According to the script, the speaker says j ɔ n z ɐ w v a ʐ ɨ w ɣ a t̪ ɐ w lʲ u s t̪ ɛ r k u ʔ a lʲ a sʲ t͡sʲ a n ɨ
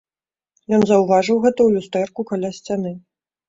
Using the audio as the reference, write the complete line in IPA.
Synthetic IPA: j ɔ n z ɐ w v a ʐ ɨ w ɣ ɛ t̪ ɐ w lʲ u s t̪ ɛ r k u k a lʲ a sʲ t͡sʲ a n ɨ